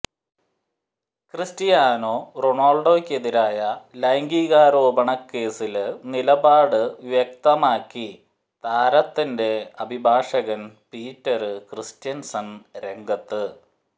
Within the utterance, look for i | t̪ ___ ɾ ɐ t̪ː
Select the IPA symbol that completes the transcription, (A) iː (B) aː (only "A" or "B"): B